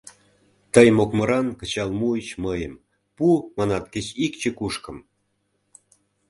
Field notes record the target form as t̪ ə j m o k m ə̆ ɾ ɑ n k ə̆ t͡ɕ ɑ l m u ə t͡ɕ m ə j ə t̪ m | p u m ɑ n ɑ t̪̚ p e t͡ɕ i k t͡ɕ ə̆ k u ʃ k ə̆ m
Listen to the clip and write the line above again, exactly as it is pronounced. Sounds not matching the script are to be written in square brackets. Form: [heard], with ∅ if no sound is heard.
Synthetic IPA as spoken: t̪ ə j m o k m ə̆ ɾ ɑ n k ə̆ t͡ɕ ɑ l m u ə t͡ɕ m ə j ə [∅] m | p u m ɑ n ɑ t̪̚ [k] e t͡ɕ i k t͡ɕ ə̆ k u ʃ k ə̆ m